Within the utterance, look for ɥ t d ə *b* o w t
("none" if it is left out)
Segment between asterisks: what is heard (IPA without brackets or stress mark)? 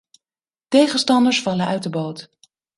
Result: b